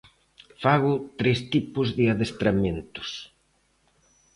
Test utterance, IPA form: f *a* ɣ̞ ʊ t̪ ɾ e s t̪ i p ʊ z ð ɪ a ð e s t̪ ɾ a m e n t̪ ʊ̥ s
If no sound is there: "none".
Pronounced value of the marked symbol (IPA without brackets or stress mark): a